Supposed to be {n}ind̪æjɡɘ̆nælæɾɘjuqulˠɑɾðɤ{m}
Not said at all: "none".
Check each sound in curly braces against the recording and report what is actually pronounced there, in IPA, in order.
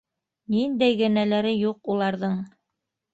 n, ɴ

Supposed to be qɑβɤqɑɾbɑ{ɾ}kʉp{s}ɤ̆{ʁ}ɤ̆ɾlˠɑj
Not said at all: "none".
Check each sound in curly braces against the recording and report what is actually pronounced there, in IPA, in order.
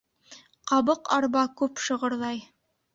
none, ʃ, ʁ

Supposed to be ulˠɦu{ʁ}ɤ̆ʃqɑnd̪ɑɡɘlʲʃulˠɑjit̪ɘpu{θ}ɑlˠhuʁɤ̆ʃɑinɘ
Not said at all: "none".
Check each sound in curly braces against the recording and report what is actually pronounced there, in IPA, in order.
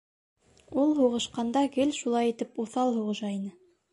ʁ, θ

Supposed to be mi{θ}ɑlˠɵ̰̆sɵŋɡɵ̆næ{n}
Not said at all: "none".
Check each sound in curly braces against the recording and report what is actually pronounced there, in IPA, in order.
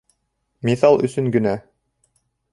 θ, none

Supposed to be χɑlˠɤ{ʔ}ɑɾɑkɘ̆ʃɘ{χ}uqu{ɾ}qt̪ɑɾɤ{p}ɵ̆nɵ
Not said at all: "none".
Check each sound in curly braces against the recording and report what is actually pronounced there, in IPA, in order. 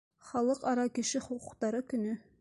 q, χ, none, k

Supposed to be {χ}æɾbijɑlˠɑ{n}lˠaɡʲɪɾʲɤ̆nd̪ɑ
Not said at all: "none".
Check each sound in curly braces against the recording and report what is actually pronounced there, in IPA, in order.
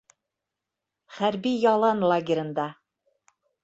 χ, n

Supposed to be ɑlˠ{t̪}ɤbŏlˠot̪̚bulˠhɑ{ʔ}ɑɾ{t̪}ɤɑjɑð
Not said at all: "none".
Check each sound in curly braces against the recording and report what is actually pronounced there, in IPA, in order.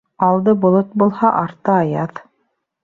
d̪, ʔ, t̪

